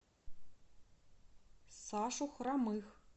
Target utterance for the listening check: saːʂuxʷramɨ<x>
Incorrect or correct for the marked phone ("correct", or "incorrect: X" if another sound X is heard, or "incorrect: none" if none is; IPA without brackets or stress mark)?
correct